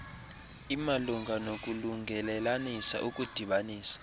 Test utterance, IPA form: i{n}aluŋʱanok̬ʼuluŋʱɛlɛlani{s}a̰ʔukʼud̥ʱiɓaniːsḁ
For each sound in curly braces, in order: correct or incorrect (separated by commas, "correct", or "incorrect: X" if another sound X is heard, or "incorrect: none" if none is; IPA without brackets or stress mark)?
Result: incorrect: m, correct